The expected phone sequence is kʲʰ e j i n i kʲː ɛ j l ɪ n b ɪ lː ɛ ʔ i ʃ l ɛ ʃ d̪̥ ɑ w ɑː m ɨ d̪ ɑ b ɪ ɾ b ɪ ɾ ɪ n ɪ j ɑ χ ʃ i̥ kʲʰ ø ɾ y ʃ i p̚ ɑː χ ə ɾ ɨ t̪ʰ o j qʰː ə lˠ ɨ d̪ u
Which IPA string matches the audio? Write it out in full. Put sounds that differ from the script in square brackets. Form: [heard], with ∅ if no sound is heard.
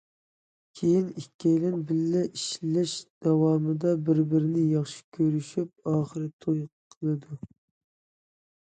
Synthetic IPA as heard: kʲʰ e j i n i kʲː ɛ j l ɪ n b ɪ lː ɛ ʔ i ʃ l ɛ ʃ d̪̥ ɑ w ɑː m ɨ d̪ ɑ b ɪ ɾ b ɪ ɾ ɪ n ɪ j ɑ χ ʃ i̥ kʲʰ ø ɾ y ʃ [y] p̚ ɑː χ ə ɾ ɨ t̪ʰ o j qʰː ə lˠ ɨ d̪ u